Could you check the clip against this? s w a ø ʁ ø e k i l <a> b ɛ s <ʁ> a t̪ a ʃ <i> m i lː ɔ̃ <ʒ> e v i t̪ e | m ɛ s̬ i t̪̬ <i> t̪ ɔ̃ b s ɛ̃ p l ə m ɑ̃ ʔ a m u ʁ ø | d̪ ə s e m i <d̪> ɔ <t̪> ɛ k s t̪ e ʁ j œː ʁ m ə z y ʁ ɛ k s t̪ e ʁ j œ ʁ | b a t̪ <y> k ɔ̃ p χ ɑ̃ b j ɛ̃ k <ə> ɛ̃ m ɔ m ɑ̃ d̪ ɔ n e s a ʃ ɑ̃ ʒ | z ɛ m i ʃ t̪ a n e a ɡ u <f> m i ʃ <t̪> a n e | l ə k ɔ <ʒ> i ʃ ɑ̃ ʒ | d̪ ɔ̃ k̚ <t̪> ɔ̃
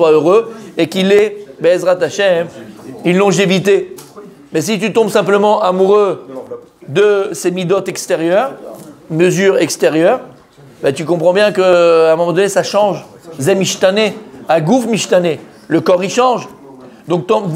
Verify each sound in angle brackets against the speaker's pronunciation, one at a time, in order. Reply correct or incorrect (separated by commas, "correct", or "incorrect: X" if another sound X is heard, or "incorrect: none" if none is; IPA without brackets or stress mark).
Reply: incorrect: ɛ, correct, incorrect: ɛ, correct, incorrect: y, correct, correct, correct, correct, correct, correct, incorrect: ʁ, correct